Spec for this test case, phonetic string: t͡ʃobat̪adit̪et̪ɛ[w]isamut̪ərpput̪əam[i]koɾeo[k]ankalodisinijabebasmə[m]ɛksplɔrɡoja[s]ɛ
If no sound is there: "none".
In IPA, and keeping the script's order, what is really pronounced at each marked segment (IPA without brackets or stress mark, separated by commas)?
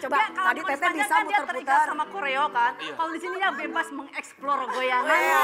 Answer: b, a, k, ŋ, none